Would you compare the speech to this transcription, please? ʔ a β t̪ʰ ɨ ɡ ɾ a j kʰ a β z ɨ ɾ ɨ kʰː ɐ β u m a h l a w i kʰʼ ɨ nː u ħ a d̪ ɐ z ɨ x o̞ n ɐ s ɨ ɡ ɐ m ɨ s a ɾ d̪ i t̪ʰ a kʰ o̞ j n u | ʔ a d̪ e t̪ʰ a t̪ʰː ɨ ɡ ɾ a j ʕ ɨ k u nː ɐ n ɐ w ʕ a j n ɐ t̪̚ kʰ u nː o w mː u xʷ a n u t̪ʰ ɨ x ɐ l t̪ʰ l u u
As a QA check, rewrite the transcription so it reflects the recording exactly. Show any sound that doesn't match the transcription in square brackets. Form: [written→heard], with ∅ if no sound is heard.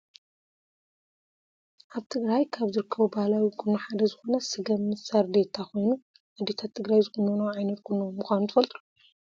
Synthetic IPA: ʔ a β t̪ʰ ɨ ɡ ɾ a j kʰ a β z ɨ ɾ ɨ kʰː ɐ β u [m→b] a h l a w i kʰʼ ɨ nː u ħ a d̪ ɐ z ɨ x o̞ n ɐ s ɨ ɡ ɐ m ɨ s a ɾ d̪ [i→e] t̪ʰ a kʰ o̞ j n u | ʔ a d̪ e t̪ʰ a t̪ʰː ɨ ɡ ɾ a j [ʕ→z] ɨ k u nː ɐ n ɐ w ʕ a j n ɐ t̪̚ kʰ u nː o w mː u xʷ a n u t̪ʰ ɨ [x→f] ɐ l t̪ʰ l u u